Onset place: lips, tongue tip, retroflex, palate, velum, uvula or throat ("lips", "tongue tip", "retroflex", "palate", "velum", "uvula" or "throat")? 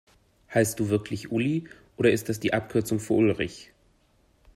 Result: throat